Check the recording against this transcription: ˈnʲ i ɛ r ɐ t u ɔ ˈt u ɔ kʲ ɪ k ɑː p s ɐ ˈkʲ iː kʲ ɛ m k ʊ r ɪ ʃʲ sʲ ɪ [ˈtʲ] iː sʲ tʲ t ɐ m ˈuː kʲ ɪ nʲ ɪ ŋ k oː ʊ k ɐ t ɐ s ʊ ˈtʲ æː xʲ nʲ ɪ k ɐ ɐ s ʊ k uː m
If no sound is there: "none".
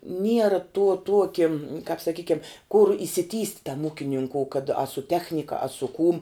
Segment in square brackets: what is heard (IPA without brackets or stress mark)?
tʲ